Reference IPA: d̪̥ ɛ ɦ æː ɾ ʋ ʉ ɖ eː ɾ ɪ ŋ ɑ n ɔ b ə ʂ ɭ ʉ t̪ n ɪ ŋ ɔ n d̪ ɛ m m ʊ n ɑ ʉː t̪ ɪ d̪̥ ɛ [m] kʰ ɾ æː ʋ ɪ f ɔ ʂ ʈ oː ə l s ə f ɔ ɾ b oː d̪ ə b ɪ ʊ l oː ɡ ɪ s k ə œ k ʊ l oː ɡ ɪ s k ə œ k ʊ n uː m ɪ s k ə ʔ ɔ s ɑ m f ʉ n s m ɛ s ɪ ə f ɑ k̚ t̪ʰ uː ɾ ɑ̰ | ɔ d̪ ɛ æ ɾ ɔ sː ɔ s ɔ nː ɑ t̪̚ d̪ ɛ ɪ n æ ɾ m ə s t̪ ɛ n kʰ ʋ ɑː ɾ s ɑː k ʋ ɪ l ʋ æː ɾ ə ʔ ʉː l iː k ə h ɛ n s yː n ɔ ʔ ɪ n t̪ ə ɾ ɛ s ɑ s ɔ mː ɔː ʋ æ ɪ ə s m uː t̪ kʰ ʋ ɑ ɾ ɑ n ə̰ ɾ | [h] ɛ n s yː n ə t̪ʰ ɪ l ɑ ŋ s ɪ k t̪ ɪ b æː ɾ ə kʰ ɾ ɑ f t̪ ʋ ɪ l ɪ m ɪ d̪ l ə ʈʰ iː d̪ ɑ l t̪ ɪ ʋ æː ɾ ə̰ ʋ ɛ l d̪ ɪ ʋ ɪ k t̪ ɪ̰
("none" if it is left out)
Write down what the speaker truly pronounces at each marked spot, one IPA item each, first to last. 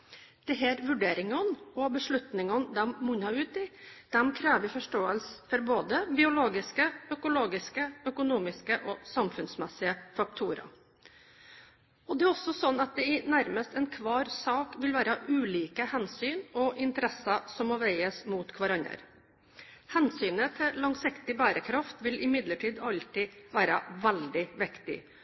m, h

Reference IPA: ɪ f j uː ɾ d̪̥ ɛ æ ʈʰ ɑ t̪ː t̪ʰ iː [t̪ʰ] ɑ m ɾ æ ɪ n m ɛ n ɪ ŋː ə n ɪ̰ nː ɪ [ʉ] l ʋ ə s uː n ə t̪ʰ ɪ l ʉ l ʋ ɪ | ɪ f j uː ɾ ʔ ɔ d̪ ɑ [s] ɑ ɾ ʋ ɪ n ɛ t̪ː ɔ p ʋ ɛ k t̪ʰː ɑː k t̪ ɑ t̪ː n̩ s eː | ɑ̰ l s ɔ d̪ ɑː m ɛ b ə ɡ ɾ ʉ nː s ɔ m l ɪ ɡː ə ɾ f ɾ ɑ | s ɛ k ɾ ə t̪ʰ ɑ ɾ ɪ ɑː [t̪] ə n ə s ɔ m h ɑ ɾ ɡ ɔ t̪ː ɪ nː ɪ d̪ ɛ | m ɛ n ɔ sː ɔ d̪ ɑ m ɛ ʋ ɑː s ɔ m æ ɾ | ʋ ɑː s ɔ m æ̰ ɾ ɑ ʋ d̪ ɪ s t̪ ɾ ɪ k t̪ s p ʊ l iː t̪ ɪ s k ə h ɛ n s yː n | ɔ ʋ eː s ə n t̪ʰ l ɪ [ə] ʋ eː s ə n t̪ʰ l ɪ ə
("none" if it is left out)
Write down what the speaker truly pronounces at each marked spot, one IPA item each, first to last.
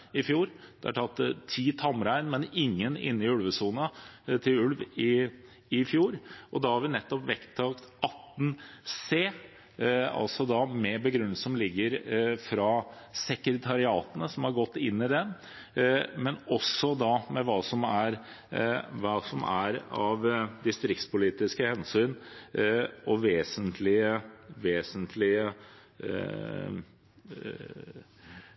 t̪ʰ, ʉ, h, t̪, ə

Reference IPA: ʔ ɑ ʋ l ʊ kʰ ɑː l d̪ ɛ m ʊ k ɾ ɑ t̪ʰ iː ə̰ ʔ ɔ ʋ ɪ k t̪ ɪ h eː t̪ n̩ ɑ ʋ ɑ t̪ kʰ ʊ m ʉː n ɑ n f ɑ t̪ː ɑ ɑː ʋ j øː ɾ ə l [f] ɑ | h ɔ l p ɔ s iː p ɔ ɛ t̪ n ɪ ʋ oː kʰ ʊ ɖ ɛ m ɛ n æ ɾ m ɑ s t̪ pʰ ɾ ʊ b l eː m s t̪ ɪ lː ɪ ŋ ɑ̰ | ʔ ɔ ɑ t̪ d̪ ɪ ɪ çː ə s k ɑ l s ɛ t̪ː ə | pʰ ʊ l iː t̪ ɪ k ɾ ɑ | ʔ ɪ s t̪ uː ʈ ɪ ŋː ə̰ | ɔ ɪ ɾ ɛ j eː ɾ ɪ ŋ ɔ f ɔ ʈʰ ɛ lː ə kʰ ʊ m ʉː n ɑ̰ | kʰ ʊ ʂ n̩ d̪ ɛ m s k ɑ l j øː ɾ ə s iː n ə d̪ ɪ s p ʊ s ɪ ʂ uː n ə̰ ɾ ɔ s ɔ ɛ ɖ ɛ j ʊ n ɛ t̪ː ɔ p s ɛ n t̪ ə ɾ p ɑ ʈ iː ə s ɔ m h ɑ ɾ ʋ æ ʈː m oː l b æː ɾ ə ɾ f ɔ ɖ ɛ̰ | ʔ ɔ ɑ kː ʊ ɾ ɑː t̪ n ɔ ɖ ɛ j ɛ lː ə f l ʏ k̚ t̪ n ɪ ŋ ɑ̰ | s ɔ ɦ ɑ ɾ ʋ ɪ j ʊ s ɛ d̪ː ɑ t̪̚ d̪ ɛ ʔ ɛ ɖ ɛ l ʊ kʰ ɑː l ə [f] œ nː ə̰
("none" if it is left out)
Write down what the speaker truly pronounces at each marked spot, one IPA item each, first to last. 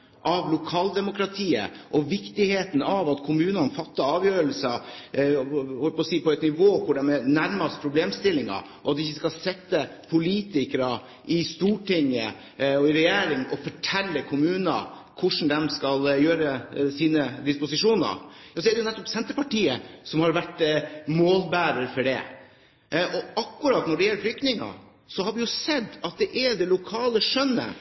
s, ʂ

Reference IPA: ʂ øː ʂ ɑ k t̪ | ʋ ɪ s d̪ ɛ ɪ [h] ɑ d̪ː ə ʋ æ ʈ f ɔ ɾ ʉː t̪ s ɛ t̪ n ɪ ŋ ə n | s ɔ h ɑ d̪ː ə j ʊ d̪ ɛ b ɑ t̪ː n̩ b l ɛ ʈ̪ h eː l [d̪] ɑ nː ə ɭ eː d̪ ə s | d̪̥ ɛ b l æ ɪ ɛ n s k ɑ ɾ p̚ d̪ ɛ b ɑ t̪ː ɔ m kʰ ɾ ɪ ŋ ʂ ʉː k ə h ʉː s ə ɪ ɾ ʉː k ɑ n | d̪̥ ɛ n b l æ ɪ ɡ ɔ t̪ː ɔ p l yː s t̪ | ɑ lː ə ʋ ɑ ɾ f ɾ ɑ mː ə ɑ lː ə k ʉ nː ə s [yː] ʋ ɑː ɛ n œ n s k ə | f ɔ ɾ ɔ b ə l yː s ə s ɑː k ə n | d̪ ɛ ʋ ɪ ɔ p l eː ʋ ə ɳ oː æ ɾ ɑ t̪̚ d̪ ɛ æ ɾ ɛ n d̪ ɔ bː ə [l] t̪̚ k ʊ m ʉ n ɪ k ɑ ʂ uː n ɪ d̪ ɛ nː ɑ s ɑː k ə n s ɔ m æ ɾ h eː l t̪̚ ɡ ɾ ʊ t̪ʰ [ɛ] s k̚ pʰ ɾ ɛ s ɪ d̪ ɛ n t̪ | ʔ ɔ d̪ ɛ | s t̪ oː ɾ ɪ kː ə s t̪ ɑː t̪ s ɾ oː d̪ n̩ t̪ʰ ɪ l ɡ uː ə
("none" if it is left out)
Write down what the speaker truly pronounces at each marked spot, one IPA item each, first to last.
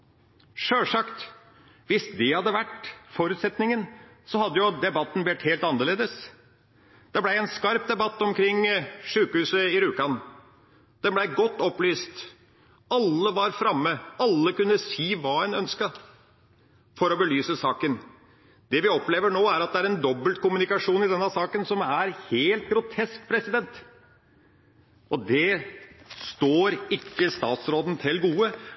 h, t̪, iː, l, ɛ

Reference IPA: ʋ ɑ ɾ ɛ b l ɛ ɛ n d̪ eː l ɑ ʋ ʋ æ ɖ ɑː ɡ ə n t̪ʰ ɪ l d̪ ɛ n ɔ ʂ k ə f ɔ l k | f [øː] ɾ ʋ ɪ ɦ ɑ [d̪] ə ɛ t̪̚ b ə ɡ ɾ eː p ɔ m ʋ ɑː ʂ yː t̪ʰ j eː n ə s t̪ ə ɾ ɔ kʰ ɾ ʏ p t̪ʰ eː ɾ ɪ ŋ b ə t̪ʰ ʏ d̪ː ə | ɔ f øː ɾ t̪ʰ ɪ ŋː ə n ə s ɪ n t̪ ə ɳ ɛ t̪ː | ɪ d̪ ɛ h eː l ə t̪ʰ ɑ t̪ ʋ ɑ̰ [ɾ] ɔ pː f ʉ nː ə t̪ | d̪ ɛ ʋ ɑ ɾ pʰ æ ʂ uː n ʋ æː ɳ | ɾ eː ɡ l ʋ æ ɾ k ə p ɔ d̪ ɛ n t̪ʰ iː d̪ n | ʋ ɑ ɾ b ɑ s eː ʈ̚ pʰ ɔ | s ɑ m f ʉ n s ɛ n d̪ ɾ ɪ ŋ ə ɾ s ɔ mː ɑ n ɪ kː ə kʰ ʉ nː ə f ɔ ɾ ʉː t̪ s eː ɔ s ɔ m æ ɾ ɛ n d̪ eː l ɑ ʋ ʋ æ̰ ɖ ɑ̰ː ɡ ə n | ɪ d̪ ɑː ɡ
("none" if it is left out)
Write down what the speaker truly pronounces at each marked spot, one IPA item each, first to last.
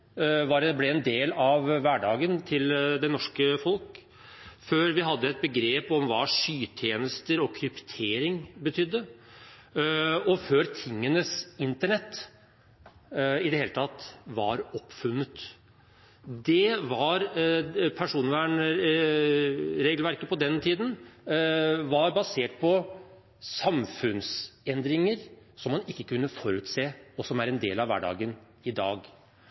øː, d̪ː, ɾ

